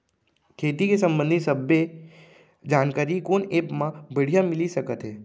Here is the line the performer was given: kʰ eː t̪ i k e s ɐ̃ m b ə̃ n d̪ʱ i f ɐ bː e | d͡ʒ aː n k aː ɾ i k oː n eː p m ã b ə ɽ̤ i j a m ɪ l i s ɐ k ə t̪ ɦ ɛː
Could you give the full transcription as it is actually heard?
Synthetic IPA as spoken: kʰ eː t̪ i k e s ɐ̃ m b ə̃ n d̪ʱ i s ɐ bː e | d͡ʒ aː n k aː ɾ i k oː n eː p m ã b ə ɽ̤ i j a m ɪ l i s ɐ k ə t̪ ɦ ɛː